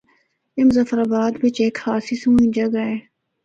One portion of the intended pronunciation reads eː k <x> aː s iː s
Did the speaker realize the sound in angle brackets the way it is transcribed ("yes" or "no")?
no